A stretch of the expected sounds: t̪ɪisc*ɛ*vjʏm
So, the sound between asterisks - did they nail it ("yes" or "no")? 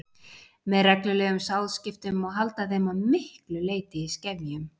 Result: yes